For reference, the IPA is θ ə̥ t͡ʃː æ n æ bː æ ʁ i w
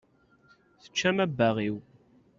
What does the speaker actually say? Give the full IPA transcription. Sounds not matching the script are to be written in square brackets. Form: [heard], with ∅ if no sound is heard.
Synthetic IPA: θ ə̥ t͡ʃː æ [m] æ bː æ ʁ i w